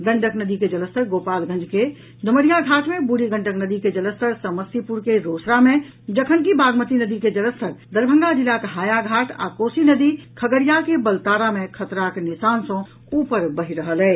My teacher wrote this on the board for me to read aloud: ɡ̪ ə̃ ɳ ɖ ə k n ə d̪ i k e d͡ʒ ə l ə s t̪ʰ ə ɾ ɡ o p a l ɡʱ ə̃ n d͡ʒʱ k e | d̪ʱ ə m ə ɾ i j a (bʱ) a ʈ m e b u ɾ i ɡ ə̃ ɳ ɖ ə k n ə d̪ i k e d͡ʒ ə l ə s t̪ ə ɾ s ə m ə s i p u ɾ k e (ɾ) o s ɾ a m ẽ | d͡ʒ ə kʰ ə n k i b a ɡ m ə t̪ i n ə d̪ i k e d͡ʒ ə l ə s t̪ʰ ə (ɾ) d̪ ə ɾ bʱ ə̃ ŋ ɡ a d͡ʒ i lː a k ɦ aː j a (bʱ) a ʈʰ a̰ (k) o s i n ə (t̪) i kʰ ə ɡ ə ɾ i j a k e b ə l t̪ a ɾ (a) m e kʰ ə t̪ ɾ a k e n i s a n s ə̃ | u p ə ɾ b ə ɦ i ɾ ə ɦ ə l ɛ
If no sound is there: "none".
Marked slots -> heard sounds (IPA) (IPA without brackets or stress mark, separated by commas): ɡʱ, ɾ, ɾ, ɡʱ, k, d̪, a